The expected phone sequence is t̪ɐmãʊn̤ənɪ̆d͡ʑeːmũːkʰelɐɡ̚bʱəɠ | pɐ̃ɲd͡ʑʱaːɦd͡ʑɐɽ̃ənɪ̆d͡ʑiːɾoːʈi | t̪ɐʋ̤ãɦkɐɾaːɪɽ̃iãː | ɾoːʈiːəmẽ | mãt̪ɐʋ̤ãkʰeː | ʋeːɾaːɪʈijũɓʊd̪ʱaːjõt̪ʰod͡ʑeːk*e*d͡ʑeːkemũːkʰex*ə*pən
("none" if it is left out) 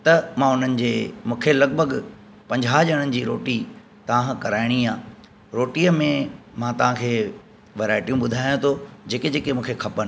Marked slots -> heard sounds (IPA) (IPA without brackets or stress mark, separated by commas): e, ɐ